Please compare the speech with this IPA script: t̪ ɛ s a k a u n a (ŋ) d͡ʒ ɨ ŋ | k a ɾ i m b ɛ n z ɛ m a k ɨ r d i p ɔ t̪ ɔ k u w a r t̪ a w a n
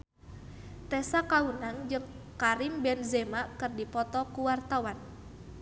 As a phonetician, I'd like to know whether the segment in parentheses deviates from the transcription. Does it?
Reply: no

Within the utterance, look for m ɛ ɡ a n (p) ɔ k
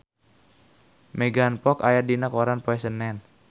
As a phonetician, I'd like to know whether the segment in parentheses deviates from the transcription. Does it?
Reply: no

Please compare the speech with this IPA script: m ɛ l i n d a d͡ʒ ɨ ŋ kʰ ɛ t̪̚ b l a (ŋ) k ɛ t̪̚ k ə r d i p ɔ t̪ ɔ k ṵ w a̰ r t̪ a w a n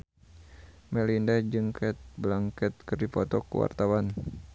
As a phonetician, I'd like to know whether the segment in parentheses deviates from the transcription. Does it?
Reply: no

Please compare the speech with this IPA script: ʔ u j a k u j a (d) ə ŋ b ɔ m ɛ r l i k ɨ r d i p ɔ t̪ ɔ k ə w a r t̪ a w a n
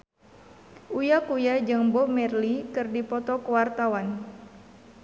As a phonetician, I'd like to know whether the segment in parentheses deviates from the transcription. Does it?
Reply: yes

